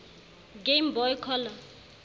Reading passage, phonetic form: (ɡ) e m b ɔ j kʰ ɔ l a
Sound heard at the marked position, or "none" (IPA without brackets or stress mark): ɡ